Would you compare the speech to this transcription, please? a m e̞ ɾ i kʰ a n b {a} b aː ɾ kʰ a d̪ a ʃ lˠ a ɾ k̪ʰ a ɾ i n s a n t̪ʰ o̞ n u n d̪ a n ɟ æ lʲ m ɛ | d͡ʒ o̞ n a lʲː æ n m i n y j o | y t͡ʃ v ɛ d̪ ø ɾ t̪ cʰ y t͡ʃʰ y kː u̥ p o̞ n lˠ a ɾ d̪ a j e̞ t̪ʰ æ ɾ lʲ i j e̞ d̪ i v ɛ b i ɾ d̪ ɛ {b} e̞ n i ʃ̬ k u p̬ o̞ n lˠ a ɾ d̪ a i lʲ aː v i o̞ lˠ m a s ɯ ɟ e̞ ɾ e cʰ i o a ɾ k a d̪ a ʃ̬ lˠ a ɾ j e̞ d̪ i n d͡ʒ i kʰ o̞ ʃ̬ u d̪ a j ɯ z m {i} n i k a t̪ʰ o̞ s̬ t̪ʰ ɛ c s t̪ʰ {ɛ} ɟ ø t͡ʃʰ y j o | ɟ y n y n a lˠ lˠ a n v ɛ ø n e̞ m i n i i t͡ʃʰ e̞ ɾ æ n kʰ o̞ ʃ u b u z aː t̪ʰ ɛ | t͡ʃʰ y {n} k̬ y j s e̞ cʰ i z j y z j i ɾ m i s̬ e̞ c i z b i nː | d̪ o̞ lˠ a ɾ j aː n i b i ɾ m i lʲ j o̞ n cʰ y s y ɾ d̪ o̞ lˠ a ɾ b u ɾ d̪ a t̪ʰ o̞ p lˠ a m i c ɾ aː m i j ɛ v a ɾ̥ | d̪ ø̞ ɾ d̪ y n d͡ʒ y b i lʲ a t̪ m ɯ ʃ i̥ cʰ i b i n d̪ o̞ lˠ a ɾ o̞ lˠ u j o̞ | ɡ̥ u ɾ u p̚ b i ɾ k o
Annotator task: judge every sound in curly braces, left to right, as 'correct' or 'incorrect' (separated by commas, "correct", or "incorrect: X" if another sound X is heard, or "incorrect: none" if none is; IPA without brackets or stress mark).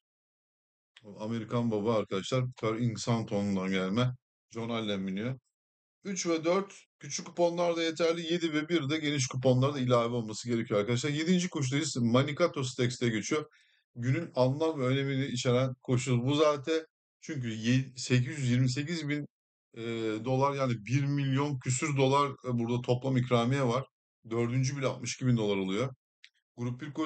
correct, incorrect: ɟ, incorrect: a, correct, incorrect: ɲ